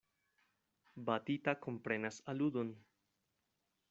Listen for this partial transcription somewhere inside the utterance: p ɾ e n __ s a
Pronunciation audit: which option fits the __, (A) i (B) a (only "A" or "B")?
B